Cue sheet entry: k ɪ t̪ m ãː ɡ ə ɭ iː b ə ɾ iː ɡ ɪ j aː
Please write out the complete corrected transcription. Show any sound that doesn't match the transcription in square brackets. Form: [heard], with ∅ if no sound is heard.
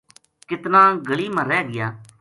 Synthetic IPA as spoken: k ɪ t̪ [n] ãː ɡ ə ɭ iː [m] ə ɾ [ɛː] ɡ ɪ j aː